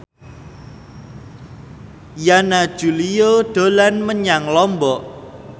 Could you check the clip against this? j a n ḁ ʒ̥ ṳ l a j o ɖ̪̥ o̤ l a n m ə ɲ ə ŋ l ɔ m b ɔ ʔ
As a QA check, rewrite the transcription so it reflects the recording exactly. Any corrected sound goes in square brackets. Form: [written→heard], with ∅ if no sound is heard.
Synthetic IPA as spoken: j a n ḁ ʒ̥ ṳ l [a→i] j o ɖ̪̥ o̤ l a n m ə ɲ [ə→a] ŋ l ɔ m b ɔ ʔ